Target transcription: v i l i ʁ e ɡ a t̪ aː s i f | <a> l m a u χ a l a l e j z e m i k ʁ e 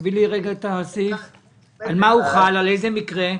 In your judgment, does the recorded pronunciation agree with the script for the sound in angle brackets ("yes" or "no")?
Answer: yes